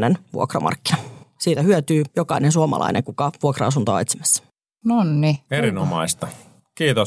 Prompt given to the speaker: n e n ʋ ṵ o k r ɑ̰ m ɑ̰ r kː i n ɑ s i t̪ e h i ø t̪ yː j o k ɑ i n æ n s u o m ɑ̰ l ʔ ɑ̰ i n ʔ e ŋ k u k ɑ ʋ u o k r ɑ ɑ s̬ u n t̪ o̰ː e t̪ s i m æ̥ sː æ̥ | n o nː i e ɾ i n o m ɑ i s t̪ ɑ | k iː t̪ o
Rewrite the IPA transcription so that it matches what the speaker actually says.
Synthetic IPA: n e n ʋ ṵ o k r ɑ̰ m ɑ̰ r kː i n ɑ s iː t̪ æ h y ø t̪ yː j o k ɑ i n e n s u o m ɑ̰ l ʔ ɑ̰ i n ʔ e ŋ k u k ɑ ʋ u o k r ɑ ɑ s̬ u n t̪ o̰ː e t̪ s i m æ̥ sː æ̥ | n o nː i e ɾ i n o m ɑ i s t̪ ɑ | k iː t̪ o